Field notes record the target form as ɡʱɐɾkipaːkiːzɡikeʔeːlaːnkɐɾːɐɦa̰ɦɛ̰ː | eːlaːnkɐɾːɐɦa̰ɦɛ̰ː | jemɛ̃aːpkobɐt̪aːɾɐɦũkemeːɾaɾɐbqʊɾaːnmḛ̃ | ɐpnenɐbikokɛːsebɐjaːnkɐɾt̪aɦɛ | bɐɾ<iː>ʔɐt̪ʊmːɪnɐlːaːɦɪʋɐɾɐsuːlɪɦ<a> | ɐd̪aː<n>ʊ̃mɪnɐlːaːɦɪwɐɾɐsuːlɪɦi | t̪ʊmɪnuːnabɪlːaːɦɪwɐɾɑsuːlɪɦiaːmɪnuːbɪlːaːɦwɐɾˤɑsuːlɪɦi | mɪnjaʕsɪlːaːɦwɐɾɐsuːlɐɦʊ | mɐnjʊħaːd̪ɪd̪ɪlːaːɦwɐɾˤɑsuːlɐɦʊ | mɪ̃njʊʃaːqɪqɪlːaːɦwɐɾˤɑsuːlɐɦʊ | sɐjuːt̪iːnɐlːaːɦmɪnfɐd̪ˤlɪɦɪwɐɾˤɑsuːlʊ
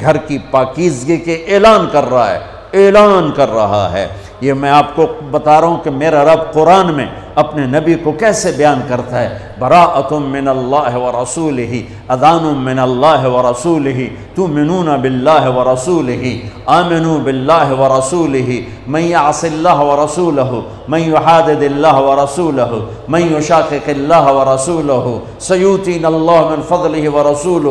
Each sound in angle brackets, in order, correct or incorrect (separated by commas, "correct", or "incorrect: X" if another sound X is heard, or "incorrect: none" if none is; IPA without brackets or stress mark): incorrect: aː, incorrect: i, correct